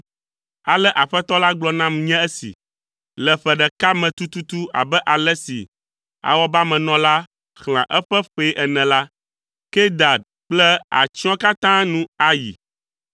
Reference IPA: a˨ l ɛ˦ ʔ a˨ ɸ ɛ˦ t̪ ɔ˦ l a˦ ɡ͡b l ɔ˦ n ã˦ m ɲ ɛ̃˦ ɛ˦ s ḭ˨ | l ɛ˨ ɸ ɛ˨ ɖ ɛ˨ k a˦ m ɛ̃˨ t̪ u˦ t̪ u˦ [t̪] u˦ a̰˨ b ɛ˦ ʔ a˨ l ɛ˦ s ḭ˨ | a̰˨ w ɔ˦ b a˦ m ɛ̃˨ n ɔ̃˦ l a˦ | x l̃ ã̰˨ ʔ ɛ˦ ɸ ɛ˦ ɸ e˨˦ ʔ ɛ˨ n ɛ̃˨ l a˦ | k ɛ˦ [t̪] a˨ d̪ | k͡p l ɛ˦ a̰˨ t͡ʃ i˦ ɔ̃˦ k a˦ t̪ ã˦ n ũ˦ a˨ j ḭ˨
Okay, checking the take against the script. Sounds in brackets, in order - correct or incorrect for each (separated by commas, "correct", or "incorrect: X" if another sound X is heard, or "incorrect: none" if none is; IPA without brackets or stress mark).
correct, incorrect: d̪